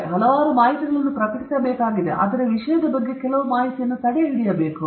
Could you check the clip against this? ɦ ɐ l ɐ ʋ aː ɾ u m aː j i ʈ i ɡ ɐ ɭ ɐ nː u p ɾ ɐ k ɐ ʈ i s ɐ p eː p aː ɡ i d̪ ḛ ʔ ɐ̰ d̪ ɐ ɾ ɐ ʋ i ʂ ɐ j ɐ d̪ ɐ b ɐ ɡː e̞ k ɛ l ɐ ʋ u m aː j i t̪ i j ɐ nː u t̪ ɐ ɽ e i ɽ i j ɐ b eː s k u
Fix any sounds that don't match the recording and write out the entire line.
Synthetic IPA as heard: ɦ ɐ l ɐ ʋ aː ɾ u m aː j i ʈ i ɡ ɐ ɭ ɐ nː u p ɾ ɐ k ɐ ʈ i s ɐ b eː k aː ɡ i d̪ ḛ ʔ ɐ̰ d̪ ɐ ɾ ɐ ʋ i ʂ ɐ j ɐ d̪ ɐ b ɐ ɡː e̞ k ɛ l ɐ ʋ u m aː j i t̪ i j ɐ nː u t̪ ɐ ɽ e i ɽ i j ɐ b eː k u